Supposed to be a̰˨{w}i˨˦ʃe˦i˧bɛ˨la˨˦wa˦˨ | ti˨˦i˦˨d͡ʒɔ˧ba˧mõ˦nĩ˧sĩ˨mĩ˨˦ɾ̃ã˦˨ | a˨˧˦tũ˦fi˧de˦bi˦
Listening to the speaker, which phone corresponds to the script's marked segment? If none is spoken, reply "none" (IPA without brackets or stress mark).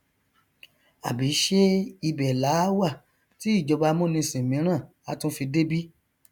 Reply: b